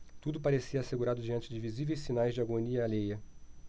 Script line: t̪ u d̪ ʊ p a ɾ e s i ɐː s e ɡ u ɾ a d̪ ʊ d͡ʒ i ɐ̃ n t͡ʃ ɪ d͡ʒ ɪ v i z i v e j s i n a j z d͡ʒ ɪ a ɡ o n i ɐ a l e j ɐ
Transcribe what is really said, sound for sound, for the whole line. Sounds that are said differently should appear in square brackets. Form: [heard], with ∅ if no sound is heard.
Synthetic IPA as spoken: t̪ u d̪ ʊ p a ɾ e s i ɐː s e ɡ u ɾ a d̪ ʊ d͡ʒ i ɐ̃ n t͡ʃ ɪ d͡ʒ ɪ v i z i v e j s i n a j z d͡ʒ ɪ a ɡ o n i ɐ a l e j ɐ